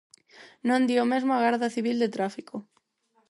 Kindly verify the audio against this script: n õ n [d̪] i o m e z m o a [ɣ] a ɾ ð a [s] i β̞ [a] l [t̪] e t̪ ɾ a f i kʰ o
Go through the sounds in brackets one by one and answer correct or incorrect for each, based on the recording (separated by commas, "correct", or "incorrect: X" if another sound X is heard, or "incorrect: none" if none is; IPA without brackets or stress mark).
correct, correct, incorrect: θ, incorrect: i, incorrect: d̪